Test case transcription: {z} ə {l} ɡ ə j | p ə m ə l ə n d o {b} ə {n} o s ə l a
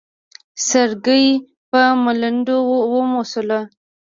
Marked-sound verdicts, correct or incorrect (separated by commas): incorrect, incorrect, incorrect, incorrect